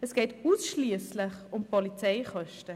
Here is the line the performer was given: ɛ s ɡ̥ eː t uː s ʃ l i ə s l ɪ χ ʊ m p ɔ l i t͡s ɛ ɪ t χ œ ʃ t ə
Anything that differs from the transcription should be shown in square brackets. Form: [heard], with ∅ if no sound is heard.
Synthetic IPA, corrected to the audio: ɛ s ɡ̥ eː t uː s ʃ l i ə s l ɪ χ ʊ m p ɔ l i t͡s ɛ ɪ [∅] χ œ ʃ t ə